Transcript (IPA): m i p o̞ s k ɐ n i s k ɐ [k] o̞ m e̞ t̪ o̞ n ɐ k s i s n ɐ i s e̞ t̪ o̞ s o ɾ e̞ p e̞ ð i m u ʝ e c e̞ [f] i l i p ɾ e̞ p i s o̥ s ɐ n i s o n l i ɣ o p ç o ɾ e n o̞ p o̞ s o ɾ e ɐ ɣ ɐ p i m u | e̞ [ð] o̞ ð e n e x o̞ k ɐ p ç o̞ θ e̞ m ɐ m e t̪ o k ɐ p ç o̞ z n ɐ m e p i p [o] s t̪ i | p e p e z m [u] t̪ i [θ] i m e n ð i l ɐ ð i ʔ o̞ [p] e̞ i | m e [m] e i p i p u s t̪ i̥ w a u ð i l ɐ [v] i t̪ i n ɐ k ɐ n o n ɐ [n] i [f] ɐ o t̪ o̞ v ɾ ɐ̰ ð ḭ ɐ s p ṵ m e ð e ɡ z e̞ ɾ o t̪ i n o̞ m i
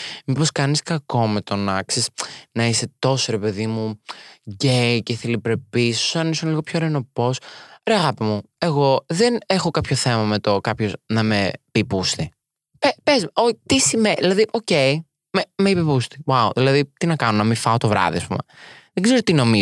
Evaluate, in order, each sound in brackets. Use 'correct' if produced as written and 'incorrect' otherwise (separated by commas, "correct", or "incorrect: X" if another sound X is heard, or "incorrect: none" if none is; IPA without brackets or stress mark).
correct, incorrect: θ, incorrect: ɣ, incorrect: u, incorrect: o, incorrect: s, incorrect: c, correct, incorrect: ð, incorrect: m, correct